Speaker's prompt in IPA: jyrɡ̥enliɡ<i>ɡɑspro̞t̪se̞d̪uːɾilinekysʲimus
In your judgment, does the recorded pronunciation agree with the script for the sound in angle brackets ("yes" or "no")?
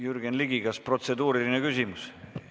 yes